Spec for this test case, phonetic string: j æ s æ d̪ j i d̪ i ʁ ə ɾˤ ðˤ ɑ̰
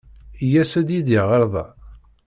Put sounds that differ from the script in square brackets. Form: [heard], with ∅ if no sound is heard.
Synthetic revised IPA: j æ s æ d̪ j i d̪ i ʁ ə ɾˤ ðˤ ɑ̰